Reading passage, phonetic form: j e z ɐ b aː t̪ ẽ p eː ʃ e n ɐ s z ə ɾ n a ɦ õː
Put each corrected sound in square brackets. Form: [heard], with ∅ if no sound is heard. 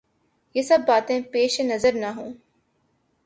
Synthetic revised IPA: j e [s] ɐ [bː] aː t̪ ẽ p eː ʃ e n ɐ [∅] z ə ɾ n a ɦ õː